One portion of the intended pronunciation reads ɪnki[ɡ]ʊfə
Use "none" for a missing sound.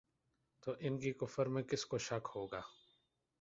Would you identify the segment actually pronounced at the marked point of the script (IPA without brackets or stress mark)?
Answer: k